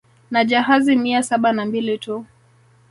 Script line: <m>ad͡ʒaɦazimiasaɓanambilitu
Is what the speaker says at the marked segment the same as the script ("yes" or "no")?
no